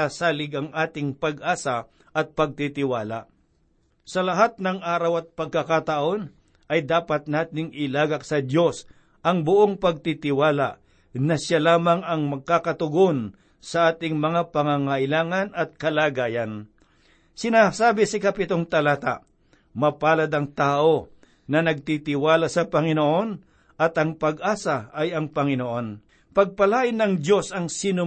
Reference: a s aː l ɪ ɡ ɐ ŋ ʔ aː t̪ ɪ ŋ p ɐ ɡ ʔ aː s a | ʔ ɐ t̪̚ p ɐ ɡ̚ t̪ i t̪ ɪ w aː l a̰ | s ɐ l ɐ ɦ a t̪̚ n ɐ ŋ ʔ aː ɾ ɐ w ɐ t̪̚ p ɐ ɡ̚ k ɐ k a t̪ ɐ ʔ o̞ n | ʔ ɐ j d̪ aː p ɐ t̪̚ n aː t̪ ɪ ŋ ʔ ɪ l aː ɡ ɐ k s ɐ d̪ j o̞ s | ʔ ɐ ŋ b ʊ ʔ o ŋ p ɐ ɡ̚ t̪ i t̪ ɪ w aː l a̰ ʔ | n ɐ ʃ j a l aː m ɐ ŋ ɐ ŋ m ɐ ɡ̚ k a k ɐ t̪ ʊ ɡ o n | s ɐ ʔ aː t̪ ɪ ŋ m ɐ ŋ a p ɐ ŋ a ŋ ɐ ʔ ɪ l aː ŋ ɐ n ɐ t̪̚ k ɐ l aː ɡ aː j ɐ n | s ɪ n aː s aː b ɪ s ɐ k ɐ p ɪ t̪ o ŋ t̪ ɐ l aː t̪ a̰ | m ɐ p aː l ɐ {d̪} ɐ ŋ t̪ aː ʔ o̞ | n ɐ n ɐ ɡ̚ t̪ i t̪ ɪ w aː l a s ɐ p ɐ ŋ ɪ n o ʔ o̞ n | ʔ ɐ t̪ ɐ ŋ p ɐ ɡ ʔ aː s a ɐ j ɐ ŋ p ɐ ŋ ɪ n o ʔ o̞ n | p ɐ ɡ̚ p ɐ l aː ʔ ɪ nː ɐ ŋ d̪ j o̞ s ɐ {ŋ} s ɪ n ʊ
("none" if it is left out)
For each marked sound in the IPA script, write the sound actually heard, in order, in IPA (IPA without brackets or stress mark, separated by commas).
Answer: d̪, ŋ